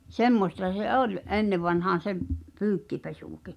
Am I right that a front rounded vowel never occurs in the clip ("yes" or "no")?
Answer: no